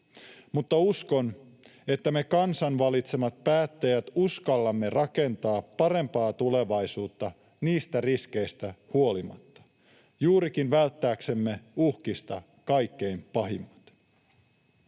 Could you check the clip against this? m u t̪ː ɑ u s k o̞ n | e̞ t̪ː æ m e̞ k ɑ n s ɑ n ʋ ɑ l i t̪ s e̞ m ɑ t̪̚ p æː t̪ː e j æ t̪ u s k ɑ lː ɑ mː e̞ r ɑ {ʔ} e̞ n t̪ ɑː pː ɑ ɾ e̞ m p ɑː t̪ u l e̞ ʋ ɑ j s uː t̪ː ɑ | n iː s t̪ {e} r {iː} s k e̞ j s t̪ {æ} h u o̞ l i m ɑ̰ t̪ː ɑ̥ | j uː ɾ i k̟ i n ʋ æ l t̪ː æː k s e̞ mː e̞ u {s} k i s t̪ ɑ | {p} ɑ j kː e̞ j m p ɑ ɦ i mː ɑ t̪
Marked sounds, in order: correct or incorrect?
incorrect: k, incorrect: æ, incorrect: i, correct, incorrect: h, incorrect: k

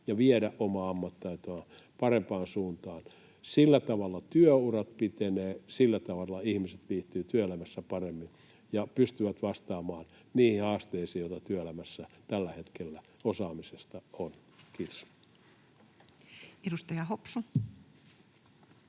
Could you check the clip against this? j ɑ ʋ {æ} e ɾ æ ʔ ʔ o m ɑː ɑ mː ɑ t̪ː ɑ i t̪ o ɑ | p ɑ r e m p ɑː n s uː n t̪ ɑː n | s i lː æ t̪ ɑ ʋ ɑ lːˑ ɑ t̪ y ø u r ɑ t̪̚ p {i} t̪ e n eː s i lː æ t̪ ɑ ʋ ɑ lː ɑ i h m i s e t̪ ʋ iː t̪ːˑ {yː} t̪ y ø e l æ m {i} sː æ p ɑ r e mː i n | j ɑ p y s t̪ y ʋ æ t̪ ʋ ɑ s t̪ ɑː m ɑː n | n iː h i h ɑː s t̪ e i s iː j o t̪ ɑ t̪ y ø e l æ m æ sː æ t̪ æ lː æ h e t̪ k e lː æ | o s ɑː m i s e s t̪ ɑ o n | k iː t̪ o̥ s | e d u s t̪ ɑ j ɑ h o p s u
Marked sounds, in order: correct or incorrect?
incorrect: i, correct, correct, incorrect: æ

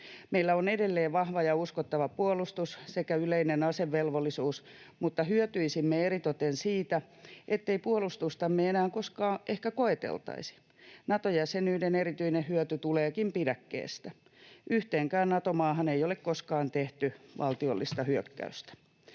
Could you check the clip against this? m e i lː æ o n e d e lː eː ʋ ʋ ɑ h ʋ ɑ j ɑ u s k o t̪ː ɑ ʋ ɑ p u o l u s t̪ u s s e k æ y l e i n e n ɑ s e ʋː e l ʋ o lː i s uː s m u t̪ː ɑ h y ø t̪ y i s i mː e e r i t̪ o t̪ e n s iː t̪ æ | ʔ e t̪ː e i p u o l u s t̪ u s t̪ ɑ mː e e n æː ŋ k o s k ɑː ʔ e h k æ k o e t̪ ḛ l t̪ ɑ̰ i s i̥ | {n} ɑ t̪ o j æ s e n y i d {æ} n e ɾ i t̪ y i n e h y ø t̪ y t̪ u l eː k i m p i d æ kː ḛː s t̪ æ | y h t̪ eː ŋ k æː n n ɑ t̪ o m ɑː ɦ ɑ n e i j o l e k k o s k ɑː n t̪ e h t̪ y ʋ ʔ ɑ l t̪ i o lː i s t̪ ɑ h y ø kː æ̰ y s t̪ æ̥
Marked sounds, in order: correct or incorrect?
correct, incorrect: e

